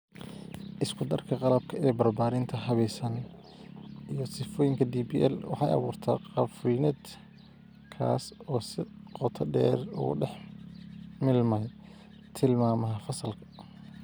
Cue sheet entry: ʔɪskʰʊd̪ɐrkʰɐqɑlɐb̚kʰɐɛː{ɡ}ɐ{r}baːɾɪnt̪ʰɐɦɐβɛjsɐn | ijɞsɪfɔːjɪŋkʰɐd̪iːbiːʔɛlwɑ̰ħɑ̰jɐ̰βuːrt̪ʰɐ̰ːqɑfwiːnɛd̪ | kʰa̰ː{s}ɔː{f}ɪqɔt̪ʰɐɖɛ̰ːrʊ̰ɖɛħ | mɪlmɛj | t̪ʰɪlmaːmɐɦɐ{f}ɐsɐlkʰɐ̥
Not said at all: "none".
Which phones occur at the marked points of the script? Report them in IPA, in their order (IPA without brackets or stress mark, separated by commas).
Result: b, r, s, s, f